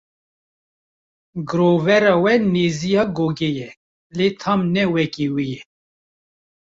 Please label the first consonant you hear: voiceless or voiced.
voiced